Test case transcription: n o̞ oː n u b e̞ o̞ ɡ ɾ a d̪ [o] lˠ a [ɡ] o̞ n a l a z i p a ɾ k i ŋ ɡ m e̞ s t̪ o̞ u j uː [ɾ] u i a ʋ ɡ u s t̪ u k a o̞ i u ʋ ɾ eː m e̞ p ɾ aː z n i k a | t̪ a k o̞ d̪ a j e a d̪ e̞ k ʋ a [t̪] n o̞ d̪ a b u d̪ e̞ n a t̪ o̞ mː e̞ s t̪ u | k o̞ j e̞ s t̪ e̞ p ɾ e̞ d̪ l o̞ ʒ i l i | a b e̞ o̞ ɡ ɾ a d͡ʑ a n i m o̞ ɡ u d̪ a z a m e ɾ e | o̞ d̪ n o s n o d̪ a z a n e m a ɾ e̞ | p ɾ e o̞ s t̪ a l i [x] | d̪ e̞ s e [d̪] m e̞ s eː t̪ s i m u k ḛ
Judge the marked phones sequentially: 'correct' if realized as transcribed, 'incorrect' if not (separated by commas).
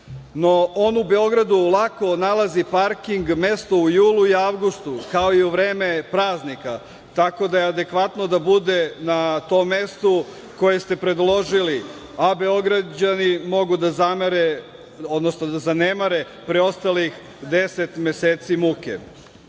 incorrect, incorrect, incorrect, correct, correct, incorrect